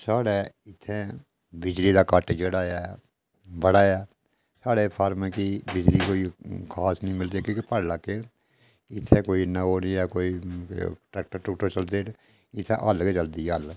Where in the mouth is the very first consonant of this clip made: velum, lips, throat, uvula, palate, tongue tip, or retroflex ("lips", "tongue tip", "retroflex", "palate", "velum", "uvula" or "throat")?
tongue tip